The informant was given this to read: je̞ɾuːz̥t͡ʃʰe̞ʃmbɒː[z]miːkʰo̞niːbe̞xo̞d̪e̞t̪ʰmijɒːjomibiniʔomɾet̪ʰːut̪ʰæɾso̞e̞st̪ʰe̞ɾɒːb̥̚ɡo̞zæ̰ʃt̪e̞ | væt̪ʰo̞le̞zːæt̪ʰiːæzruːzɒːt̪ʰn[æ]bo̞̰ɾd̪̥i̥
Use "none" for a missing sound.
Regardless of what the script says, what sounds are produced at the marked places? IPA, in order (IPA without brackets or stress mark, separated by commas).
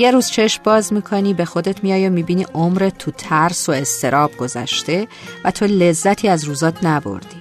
z, æ